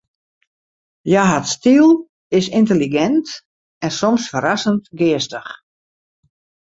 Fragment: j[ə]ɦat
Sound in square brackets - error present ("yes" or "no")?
yes